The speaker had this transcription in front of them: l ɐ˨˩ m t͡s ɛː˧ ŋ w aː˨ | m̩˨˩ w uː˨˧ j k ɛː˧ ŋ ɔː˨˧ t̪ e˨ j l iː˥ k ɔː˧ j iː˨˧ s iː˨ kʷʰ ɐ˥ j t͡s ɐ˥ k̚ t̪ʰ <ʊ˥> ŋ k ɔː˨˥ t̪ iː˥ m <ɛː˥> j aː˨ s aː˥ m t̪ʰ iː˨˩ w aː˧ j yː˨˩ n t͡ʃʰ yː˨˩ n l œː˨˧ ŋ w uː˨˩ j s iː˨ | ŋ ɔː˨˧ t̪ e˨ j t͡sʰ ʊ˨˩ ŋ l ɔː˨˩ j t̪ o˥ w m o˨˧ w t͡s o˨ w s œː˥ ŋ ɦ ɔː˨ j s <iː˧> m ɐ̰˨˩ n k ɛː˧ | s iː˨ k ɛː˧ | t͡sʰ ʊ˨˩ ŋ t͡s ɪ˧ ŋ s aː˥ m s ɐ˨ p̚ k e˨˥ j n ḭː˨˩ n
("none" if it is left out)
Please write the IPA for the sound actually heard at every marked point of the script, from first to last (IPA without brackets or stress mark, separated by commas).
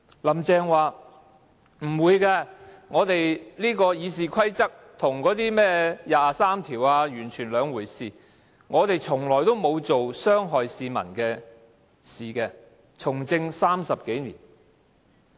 ʊ˨˩, ɛː˥, iː˧